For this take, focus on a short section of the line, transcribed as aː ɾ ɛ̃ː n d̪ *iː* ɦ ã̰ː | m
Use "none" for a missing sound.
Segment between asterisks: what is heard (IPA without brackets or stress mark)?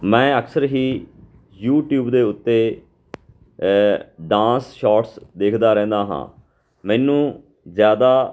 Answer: aː